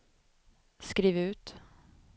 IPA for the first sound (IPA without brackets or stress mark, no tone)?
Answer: s